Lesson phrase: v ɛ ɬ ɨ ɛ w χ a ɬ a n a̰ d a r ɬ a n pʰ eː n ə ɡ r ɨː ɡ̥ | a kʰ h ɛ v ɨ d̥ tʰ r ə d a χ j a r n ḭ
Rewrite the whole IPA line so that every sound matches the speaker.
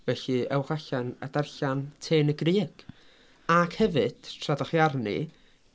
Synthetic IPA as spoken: v ɛ ɬ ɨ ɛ w χ a ɬ a n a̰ d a r ɬ a n tʰ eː n ə ɡ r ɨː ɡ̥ | a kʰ h ɛ v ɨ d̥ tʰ r a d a χ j a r n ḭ